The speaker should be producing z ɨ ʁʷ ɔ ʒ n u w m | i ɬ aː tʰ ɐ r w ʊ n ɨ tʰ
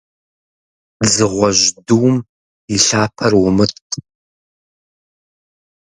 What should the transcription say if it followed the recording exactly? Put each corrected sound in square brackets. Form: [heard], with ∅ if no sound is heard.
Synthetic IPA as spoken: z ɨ ʁʷ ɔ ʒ [d] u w m | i ɬ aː [pʰ] ɐ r w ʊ [m] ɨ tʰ